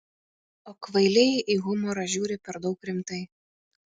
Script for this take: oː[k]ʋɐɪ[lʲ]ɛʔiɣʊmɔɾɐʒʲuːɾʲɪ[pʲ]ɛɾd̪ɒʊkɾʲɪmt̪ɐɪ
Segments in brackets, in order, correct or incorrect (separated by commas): correct, correct, correct